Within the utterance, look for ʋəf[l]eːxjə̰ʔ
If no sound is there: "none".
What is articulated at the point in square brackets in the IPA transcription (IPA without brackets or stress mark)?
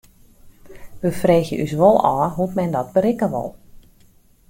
r